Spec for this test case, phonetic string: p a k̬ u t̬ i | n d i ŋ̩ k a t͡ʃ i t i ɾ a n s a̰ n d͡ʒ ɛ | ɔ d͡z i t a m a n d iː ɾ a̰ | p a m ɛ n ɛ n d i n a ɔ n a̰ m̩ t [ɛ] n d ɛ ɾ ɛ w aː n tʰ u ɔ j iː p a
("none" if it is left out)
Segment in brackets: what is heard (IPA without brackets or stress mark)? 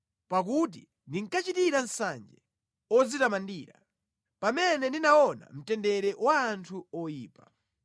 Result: ɛ